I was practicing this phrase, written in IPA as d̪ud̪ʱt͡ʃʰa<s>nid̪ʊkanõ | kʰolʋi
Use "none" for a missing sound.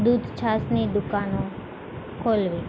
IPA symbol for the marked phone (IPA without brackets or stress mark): s